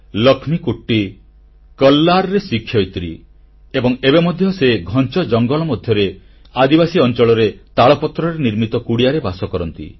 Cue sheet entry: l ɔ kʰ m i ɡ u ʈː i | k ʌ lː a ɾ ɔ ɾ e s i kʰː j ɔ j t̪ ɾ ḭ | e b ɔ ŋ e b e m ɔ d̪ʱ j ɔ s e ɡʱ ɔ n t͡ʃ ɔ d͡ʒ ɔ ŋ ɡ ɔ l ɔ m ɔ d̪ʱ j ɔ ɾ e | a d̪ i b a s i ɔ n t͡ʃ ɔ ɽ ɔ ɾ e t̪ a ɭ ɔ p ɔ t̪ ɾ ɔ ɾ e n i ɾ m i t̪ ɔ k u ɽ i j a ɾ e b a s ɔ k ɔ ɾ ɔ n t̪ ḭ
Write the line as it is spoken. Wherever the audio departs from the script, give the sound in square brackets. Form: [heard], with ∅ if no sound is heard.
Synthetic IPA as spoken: l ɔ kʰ m i [k] u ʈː i | k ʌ lː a ɾ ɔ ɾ e s i kʰː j ɔ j t̪ ɾ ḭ | e b ɔ ŋ e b e m ɔ d̪ʱ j ɔ s e ɡʱ ɔ n t͡ʃ ɔ d͡ʒ ɔ ŋ ɡ ɔ l ɔ m ɔ d̪ʱ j ɔ ɾ e | a d̪ i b a s i ɔ n t͡ʃ ɔ [ɭ] ɔ ɾ e t̪ a ɭ ɔ p ɔ t̪ ɾ ɔ ɾ e n i ɾ m i t̪ ɔ k u ɽ i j a ɾ e b a s ɔ k ɔ ɾ ɔ n t̪ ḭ